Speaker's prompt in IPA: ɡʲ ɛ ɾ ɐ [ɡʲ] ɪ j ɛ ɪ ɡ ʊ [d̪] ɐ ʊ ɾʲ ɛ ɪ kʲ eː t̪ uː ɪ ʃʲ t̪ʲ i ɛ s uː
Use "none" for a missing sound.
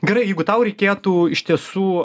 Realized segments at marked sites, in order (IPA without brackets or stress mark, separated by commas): none, t̪